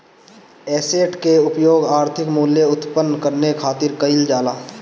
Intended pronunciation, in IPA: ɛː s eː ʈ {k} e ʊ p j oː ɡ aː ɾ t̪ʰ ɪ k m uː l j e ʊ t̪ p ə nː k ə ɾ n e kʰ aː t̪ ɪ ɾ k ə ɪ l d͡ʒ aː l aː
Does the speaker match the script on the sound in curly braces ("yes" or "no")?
yes